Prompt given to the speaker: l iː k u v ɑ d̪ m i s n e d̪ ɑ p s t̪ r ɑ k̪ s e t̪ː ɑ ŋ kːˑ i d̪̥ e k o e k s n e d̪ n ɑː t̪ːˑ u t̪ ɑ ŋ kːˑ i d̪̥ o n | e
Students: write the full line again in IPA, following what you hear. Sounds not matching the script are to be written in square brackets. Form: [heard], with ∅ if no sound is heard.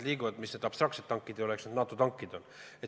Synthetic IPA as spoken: l iː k u v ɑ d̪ m i s n e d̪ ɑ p s t̪ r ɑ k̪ s e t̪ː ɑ ŋ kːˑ i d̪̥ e [∅] o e k s n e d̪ n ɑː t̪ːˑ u t̪ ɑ ŋ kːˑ i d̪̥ o n | e